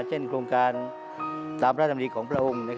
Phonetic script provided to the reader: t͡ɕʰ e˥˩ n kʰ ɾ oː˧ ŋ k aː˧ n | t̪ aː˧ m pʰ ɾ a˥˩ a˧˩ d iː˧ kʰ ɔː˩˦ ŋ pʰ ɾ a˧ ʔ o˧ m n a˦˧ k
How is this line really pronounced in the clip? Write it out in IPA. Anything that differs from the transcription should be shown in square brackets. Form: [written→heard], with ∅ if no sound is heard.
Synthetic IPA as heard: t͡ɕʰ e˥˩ n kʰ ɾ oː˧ ŋ k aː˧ n | t̪ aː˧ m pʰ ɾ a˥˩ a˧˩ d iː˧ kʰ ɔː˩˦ ŋ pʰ ɾ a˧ ʔ o˧ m n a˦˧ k